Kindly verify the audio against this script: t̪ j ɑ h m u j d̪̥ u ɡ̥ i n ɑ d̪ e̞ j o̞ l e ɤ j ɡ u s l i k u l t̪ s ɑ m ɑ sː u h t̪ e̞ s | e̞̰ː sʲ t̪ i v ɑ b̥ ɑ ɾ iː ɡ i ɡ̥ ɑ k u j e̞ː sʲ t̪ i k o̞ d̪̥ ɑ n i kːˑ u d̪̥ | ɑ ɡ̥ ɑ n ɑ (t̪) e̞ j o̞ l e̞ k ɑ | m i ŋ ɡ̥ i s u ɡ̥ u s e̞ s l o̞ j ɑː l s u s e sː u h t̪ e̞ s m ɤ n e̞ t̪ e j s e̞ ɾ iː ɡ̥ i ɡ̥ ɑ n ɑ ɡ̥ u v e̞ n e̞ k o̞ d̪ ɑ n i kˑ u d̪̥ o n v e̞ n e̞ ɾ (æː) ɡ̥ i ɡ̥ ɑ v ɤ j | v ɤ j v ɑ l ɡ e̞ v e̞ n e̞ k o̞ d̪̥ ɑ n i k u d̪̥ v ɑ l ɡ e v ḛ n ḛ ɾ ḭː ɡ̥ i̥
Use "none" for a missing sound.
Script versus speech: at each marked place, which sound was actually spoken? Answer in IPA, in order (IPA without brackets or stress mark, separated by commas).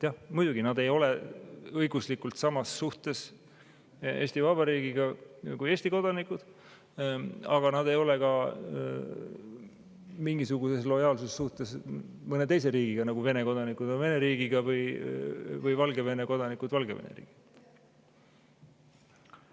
d̪, iː